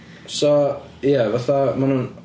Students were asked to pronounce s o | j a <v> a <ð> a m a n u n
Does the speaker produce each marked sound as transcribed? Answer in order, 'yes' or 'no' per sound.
yes, no

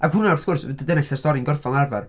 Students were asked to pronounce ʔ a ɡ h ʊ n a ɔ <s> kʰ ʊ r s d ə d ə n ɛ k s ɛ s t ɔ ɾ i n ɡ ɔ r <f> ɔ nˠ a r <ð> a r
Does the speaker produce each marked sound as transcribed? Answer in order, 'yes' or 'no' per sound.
no, yes, no

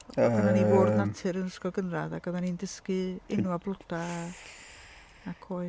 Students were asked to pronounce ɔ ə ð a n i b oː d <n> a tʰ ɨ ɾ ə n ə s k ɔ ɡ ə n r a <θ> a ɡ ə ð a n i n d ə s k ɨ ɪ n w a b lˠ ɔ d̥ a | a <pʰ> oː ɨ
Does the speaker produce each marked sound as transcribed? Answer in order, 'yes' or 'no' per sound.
yes, no, no

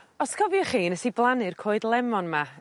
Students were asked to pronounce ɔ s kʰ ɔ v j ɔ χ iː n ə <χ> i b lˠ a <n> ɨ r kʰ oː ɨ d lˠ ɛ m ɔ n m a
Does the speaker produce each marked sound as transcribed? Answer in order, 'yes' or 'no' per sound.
no, yes

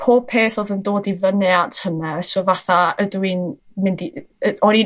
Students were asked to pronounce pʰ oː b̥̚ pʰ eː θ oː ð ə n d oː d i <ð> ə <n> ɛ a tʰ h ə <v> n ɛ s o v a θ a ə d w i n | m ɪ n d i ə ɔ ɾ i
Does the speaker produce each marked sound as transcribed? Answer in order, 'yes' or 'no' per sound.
no, yes, no

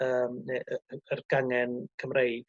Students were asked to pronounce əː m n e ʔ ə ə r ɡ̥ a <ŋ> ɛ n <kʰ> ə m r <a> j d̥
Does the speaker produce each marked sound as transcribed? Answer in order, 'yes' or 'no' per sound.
yes, yes, no

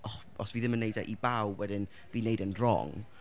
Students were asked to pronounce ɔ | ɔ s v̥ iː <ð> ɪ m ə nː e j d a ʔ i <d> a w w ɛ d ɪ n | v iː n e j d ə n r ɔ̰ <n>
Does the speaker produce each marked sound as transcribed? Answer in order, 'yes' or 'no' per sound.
yes, no, no

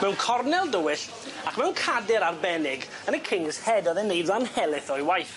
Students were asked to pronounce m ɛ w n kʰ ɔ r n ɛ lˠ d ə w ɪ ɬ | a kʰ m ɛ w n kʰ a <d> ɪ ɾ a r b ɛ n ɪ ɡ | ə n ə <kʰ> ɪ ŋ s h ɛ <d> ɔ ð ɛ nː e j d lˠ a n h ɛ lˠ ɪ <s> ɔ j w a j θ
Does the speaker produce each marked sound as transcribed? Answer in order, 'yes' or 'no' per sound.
yes, yes, yes, no

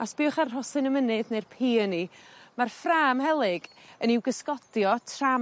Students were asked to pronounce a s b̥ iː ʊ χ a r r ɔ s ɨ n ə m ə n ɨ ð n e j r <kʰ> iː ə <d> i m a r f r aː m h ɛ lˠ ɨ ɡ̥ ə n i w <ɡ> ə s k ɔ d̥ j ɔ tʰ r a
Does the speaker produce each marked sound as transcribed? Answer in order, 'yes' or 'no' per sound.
no, no, yes

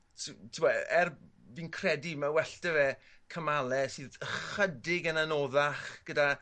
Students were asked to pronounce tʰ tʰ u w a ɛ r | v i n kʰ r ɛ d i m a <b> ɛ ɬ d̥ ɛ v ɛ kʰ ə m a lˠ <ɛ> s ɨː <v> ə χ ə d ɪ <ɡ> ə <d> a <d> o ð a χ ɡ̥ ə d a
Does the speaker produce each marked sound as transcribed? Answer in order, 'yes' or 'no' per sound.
no, yes, no, yes, no, no

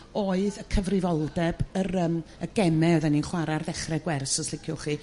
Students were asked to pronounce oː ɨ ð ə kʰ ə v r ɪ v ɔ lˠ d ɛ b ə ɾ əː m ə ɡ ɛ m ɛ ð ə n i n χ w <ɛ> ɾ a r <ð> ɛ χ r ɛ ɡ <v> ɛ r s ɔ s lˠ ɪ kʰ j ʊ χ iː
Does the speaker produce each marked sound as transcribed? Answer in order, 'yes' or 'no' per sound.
no, yes, no

